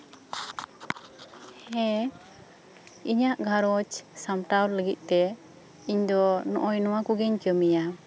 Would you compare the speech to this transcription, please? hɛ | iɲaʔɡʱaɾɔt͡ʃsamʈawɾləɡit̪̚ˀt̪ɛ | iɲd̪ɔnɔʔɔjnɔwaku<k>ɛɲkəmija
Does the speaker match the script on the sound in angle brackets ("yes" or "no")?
no